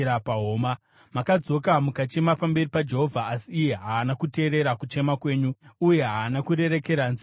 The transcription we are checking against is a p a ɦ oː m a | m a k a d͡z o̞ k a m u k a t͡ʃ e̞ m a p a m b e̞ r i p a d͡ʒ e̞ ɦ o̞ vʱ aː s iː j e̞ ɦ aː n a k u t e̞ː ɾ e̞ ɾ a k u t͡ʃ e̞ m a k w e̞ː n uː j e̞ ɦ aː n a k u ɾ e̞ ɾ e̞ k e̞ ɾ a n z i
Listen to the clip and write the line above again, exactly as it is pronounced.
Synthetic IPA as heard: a p a ɦ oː m a | m a k a d͡z o̞ k a m u k a t͡ʃ e̞ m a p a m b e̞ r i p a d͡ʒ e̞ ɦ o̞ vʱ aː s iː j e̞ ɦ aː n a k u t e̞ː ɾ e̞ ɾ a k u t͡ʃ e̞ m a k w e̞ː ɲ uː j e̞ ɦ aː n a k u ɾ e̞ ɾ e̞ k e̞ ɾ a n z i